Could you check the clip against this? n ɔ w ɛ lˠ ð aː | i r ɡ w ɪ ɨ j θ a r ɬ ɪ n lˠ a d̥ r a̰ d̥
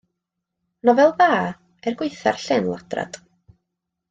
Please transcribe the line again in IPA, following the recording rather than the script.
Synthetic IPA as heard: n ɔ v ɛ lˠ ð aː | ɛ r ɡ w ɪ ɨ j θ a r ɬ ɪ n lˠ a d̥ r a̰ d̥